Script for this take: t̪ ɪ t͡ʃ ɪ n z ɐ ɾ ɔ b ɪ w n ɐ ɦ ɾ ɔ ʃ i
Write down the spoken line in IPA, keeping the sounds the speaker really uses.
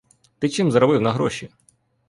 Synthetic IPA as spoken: t̪ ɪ t͡ʃ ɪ m z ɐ ɾ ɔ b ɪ w n ɐ ɦ ɾ ɔ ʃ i